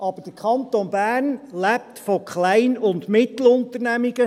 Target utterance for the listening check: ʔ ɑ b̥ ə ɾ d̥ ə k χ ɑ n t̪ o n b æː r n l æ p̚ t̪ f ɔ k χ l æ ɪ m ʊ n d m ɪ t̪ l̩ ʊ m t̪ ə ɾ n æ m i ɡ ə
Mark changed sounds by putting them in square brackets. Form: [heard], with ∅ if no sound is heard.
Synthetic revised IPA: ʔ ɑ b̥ ə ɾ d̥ ə k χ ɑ n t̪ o n b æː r n l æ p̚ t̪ f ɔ k χ l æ ɪ [n] ʊ n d m ɪ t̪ l̩ ʊ [n] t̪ ə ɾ n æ m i ɡ ə